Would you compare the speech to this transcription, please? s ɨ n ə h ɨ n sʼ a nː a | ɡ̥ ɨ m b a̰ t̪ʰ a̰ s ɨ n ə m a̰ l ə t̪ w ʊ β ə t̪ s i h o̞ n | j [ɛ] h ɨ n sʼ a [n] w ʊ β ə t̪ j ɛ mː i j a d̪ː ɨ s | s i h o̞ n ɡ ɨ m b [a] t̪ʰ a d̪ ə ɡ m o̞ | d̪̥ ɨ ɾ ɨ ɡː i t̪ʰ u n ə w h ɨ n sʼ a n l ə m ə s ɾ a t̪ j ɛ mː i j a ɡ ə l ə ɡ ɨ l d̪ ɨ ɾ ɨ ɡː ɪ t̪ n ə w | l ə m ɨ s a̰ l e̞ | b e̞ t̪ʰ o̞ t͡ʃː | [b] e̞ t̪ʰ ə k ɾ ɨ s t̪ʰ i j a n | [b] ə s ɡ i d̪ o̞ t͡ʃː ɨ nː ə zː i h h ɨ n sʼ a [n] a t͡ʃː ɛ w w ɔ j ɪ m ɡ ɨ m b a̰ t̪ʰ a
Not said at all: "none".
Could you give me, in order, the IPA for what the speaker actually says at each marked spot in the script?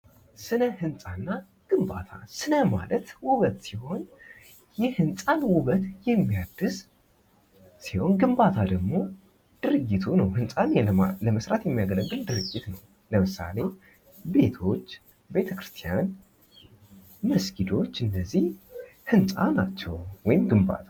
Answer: ɛ, n, a, b, m, n

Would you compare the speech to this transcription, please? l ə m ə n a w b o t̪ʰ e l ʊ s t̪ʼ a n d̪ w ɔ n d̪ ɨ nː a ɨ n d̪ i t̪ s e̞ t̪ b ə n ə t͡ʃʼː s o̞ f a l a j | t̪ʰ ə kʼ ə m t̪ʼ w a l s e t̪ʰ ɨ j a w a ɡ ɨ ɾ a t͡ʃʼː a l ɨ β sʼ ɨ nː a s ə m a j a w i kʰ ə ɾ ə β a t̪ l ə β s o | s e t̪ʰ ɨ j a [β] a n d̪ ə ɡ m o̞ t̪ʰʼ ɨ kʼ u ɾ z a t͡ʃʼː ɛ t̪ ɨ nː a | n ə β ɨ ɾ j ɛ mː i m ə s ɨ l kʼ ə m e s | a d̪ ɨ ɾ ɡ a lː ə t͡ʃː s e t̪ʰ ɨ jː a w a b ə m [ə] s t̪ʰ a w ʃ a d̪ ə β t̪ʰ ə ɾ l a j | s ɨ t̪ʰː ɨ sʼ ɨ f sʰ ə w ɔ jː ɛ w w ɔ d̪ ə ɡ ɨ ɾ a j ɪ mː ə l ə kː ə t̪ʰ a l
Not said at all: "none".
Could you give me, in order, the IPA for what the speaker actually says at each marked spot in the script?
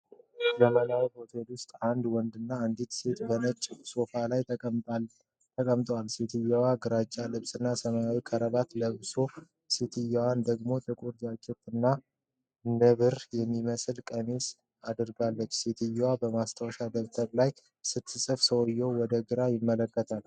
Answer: w, a

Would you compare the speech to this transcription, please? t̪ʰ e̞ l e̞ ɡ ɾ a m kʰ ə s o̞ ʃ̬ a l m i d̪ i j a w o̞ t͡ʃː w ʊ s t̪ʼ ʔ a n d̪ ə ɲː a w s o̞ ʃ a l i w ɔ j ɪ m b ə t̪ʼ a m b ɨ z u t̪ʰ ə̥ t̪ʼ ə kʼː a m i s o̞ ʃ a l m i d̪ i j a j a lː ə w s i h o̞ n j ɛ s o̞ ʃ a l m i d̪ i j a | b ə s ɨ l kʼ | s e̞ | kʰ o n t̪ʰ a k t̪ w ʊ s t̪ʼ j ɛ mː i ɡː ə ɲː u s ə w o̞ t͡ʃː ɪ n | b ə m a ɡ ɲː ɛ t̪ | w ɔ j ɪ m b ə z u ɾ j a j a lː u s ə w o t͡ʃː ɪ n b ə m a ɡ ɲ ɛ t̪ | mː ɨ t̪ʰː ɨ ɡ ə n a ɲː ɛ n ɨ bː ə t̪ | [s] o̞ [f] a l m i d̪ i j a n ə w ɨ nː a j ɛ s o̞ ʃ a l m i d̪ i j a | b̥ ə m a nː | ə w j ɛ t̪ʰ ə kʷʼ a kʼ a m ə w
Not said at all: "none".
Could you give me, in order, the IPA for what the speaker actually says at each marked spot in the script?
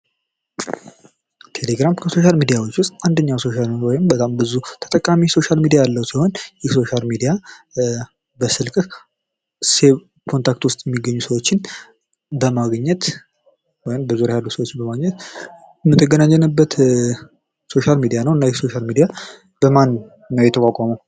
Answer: s, ʃ

